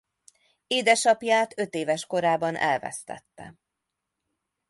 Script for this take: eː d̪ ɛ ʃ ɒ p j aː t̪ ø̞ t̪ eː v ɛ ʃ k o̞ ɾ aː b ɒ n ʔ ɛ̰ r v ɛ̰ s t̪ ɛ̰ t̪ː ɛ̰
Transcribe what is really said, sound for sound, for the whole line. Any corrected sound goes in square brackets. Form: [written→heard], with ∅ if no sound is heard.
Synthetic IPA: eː d̪ ɛ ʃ ɒ p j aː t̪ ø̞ t̪ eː v ɛ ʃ k o̞ ɾ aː b ɒ n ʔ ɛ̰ [r→l] v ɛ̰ s t̪ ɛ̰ t̪ː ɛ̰